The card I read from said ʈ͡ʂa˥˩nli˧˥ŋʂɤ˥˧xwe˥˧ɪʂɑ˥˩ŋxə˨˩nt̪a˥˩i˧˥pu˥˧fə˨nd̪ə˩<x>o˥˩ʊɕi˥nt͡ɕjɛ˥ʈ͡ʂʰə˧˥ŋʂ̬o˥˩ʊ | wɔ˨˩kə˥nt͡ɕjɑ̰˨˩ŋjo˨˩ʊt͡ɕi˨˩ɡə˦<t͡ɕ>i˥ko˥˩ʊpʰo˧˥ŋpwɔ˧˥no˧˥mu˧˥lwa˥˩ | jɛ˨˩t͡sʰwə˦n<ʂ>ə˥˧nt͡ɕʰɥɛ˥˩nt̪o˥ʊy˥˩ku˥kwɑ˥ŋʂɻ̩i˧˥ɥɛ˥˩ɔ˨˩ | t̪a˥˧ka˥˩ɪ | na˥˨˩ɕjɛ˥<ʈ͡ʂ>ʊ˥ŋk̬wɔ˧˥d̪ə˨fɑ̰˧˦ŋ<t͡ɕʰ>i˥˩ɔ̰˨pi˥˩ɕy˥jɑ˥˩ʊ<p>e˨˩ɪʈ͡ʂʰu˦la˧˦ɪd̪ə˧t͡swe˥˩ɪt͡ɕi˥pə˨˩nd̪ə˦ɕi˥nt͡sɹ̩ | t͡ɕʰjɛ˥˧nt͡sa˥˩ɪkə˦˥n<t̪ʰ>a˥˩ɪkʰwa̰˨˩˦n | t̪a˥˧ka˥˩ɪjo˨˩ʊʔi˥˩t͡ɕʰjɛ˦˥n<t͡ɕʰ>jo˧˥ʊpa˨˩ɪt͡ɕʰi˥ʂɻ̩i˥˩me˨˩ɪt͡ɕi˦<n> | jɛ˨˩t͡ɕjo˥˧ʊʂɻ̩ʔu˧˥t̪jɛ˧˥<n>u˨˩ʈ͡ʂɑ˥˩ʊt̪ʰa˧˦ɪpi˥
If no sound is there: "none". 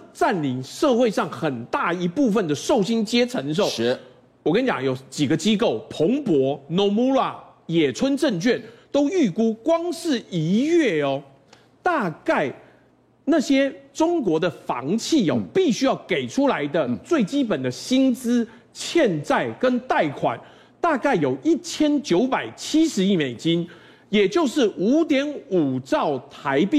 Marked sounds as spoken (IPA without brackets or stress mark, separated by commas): ʂ, t͡ɕ, ʈ͡ʂ, ʈ͡ʂ, t͡ɕʰ, k, t̪, t͡ɕ, n, n